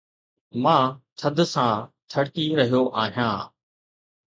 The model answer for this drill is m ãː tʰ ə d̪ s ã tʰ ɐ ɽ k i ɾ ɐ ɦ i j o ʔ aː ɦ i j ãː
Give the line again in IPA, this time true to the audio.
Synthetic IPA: m ãː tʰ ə d̪ s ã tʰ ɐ ɽ k i ɾ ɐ ɦ i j o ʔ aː ɦ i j ãː